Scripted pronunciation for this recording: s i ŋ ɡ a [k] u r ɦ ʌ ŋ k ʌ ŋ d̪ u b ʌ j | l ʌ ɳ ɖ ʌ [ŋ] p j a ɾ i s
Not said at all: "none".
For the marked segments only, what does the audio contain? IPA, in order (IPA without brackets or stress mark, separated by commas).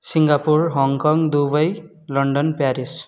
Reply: p, n